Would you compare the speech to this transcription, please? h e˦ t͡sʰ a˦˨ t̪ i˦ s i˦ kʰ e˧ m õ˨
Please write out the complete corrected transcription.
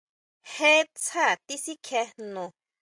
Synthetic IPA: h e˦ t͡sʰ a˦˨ t̪ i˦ s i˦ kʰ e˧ n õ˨